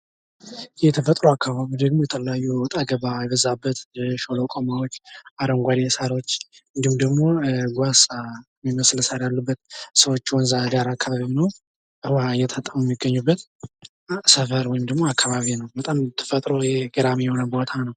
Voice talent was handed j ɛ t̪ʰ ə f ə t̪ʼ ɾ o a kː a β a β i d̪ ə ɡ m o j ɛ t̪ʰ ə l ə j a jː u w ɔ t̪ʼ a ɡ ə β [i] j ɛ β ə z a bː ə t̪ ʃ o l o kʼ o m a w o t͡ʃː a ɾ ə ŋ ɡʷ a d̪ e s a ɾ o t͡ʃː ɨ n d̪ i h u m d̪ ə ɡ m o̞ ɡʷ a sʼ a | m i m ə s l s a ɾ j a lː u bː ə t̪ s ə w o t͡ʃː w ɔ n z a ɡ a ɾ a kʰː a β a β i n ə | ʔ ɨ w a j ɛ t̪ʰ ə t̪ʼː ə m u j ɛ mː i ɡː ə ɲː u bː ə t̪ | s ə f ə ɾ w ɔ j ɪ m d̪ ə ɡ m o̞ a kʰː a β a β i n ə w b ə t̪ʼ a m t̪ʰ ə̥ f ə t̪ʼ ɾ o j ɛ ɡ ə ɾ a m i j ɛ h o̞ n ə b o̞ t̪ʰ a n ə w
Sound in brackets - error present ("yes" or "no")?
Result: yes